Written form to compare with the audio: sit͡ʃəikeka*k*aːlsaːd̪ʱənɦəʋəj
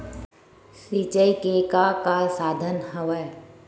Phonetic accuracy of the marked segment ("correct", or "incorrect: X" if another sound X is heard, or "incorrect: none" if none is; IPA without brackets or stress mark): correct